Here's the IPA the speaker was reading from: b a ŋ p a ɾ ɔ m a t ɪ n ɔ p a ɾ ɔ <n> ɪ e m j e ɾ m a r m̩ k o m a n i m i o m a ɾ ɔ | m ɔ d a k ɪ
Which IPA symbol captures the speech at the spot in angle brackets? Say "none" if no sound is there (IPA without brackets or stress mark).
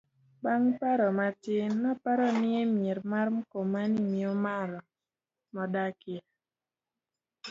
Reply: n